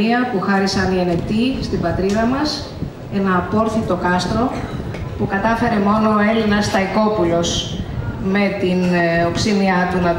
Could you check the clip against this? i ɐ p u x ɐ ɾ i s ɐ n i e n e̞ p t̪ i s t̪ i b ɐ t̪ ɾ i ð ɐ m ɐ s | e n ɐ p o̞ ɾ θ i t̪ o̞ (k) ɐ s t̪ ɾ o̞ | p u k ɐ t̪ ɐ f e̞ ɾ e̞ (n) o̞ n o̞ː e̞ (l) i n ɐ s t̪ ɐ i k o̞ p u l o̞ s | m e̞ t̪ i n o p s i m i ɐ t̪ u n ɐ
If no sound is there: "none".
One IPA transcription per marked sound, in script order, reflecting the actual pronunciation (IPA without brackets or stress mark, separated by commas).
k, m, l